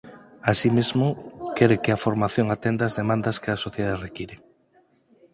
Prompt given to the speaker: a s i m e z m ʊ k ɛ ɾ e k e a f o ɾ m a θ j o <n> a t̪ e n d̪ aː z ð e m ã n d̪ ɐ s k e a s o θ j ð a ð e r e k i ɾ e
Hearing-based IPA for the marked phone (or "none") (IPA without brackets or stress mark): ŋ